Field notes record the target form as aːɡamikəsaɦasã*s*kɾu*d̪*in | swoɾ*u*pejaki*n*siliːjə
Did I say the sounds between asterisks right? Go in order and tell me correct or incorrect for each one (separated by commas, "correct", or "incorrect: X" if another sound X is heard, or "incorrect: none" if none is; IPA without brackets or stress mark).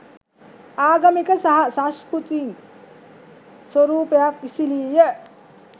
correct, incorrect: t̪, incorrect: uː, incorrect: none